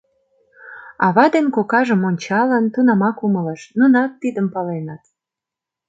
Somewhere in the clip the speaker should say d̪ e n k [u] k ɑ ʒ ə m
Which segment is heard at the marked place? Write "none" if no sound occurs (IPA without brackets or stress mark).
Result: o